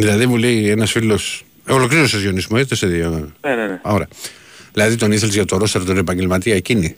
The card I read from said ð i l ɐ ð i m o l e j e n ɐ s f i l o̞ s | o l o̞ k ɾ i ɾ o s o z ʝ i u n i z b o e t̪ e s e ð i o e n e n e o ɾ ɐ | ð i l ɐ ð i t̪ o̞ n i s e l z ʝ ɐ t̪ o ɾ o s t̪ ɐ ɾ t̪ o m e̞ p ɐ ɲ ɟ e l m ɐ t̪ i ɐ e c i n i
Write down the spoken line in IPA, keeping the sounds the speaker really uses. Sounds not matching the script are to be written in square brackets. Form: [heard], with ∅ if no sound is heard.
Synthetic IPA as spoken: ð i l ɐ ð i m [u] l e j e n ɐ s f i l o̞ s | o l o̞ k ɾ i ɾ o s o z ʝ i [o] n i z [m] o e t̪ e s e ð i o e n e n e o ɾ ɐ | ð i l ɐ ð i t̪ o̞ n i [θ] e l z ʝ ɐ t̪ o ɾ o s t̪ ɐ ɾ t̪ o [n] e̞ p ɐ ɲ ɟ e l m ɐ t̪ i ɐ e c i n i